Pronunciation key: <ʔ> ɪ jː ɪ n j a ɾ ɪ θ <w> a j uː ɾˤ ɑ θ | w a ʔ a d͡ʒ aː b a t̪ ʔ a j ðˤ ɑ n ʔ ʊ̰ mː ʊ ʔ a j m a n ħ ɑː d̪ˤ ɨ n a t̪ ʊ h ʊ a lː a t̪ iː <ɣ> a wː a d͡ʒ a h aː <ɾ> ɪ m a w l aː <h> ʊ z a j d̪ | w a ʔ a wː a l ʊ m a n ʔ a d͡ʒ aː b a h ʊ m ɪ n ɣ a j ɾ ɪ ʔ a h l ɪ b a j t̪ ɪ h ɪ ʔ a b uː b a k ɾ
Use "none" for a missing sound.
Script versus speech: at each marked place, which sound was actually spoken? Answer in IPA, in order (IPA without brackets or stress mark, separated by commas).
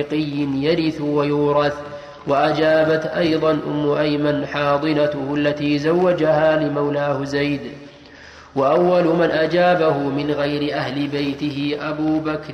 q, w, z, l, h